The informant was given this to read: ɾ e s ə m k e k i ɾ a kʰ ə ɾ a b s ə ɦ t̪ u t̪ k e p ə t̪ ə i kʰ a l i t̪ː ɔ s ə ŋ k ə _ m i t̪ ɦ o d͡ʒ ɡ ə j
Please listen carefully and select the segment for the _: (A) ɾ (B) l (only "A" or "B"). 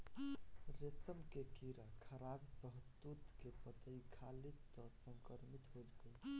A